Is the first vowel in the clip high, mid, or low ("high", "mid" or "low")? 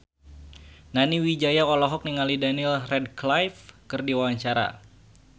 low